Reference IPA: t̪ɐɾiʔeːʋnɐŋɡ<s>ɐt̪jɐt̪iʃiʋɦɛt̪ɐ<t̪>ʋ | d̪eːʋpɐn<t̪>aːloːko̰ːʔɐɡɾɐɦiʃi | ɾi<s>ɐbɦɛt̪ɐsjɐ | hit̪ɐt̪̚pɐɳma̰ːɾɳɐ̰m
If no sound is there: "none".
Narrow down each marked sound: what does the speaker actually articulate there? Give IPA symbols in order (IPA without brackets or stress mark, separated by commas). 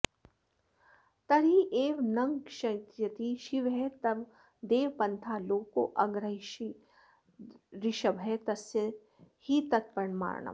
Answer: ʃ, none, t̪ʰ, ʃ